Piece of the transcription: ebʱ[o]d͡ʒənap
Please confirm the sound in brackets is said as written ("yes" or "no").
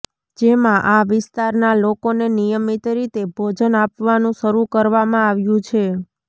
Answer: yes